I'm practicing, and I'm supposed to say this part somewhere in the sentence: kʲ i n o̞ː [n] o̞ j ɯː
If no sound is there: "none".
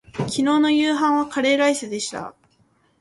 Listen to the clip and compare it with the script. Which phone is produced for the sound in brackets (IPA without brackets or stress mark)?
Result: n